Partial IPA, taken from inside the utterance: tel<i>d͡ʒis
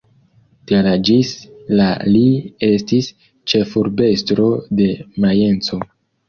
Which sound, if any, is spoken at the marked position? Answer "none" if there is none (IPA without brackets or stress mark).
a